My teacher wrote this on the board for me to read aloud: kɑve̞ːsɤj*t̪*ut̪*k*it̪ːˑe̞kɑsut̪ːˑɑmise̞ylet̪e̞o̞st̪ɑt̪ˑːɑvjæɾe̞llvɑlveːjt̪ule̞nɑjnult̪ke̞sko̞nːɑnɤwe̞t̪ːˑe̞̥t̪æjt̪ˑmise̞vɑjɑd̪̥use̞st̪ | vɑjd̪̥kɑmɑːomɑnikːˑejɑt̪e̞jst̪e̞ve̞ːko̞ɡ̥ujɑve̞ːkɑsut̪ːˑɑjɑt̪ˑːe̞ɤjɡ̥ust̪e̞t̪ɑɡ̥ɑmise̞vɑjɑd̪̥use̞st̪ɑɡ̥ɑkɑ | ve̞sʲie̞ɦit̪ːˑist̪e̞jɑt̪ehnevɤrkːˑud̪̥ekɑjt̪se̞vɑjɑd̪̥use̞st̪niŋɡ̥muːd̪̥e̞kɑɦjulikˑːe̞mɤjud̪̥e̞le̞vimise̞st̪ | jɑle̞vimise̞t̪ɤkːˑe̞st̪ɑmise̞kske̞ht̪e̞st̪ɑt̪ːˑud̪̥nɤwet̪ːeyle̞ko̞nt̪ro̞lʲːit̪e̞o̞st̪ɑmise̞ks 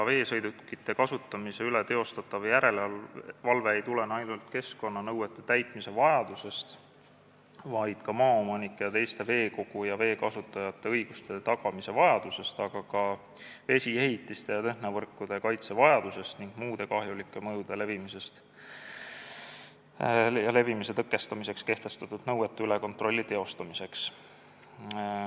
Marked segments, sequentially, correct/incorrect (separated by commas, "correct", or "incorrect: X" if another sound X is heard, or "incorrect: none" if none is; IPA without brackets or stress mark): incorrect: d̪, correct